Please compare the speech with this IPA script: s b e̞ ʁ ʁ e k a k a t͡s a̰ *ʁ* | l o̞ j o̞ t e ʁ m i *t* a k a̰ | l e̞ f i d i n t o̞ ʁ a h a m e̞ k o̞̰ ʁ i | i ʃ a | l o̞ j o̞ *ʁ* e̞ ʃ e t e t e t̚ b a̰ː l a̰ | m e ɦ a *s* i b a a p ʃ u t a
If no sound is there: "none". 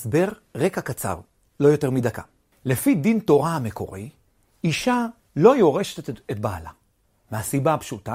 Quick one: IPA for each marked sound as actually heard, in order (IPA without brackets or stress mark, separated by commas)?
ʁ, d, ʁ, s